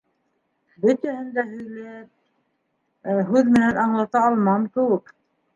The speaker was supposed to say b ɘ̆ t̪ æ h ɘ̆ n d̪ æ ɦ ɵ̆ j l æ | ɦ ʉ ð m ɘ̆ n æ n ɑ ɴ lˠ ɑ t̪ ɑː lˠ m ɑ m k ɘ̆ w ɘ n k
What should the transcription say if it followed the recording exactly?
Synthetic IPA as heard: b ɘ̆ t̪ æ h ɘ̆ n d̪ æ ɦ ɵ̆ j l æ | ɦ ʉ ð m ɘ̆ n æ n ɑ ɴ lˠ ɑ t̪ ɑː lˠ m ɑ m k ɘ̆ w ɘ k